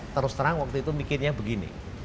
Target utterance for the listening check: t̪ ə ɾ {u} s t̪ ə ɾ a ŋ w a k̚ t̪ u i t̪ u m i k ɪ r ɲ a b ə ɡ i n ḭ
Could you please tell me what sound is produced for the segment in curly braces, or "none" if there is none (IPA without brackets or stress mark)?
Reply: ʊ